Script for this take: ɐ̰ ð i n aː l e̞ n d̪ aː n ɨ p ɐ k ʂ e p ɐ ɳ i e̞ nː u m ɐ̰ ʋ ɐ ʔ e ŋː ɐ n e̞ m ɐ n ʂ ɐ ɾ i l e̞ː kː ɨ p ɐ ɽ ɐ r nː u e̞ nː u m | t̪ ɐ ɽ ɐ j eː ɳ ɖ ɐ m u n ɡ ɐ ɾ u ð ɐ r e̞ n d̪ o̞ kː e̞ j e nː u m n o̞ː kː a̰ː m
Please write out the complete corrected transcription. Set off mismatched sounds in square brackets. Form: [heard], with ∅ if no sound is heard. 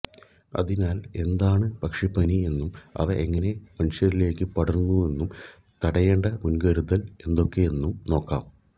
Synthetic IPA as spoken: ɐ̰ ð i n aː l e̞ n d̪ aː [ɳ] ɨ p ɐ k ʂ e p ɐ [n] i e̞ nː u m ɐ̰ ʋ ɐ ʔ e ŋː ɐ n e̞ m ɐ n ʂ ɐ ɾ i l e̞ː kː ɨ p ɐ ɽ ɐ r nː u e̞ nː u m | t̪ ɐ ɽ ɐ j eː ɳ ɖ ɐ m u n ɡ ɐ ɾ u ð ɐ [l] e̞ n d̪ o̞ kː e̞ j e nː u m n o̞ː kː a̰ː m